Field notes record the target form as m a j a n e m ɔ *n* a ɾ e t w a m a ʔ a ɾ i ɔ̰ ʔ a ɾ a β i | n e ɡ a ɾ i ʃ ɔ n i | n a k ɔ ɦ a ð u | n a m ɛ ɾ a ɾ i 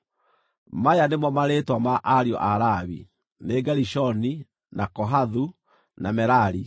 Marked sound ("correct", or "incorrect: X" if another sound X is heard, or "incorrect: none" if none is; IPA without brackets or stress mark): incorrect: m